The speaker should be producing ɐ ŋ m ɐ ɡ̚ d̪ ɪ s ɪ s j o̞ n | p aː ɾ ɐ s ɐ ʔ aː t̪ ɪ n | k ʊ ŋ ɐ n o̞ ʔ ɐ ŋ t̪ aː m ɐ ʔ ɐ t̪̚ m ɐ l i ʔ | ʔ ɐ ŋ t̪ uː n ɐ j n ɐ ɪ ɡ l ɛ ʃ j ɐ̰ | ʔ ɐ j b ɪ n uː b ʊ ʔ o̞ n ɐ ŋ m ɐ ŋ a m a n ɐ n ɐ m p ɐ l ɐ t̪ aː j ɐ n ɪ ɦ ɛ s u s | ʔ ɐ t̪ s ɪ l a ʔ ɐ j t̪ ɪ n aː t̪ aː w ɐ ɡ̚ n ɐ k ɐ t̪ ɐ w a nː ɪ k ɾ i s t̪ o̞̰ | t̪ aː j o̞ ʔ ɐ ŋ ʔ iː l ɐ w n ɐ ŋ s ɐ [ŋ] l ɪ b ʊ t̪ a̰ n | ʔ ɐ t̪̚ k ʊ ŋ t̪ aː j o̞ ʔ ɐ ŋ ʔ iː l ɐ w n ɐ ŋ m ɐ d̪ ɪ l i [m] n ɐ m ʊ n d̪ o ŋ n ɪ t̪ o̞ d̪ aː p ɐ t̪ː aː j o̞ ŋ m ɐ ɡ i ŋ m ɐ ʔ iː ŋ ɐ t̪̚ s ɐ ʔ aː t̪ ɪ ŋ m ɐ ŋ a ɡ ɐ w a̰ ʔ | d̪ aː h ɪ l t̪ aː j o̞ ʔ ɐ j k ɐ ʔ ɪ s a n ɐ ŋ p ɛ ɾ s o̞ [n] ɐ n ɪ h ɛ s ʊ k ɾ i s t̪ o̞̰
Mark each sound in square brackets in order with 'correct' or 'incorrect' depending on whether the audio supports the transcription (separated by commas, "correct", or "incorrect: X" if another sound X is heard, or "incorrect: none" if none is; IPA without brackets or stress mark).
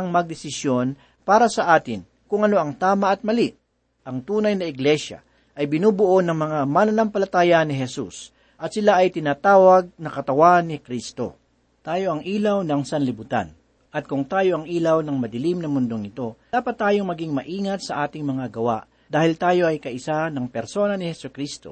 incorrect: n, correct, correct